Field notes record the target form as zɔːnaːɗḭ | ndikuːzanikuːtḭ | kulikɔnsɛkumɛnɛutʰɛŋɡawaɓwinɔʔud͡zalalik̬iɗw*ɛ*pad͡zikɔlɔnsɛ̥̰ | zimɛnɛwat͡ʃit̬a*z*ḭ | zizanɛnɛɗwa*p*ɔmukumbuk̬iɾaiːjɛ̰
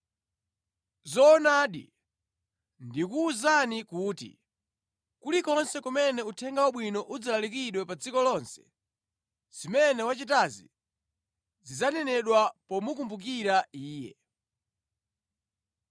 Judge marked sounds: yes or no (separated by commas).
yes, yes, yes